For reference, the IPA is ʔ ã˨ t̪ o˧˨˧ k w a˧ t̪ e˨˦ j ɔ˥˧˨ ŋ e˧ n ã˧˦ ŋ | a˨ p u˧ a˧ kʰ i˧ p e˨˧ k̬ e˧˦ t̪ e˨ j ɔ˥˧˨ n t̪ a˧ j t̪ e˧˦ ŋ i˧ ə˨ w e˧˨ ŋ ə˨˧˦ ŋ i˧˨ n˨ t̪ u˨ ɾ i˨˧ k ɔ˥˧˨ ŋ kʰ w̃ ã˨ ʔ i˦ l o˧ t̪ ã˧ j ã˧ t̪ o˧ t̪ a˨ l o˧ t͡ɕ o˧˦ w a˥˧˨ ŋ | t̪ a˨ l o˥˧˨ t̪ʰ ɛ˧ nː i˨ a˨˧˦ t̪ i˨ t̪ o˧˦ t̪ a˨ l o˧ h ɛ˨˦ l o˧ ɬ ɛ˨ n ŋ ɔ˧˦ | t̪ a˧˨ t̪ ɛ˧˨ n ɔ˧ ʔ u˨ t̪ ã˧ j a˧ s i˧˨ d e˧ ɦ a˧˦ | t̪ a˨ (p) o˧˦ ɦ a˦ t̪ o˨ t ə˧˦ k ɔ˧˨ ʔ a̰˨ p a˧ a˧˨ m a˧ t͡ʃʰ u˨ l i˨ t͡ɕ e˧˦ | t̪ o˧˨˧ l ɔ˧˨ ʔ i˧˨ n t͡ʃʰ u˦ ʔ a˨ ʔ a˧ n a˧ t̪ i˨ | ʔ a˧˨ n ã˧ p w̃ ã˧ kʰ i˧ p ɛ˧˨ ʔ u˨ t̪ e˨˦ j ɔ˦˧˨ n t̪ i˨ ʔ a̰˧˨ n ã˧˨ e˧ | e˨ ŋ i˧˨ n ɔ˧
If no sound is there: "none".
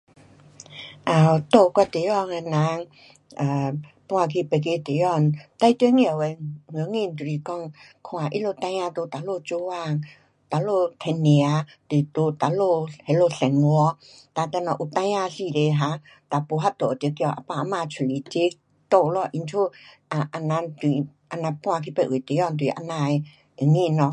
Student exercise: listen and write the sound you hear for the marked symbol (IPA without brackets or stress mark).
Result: p